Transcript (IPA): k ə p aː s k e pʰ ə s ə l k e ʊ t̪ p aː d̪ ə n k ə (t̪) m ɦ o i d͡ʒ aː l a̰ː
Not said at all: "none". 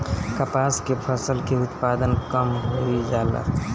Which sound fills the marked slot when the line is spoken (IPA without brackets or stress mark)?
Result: none